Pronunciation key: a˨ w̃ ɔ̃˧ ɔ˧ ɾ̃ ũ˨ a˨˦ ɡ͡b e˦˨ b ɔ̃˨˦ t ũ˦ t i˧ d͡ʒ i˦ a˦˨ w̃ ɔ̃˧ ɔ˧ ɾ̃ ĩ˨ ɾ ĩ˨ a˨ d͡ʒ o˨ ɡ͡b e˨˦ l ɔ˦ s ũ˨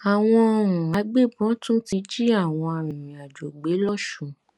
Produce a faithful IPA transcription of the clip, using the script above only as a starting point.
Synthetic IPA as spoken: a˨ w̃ ɔ̃˧ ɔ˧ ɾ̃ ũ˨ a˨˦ ɡ͡b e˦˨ b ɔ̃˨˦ t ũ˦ t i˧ d͡ʒ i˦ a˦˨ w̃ ɔ̃˧ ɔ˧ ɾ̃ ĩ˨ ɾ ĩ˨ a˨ d͡ʒ o˨ ɡ͡b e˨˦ l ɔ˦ ʃ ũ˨